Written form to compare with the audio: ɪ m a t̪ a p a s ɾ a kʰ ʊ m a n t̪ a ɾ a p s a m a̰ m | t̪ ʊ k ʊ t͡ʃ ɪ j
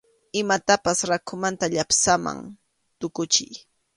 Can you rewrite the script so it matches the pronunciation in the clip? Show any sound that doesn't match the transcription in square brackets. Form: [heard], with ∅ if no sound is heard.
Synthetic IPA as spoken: ɪ m a t̪ a p a s ɾ a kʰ ʊ m a n t̪ a [ʎ] a p s a m a̰ [ŋ] | t̪ ʊ k ʊ t͡ʃ ɪ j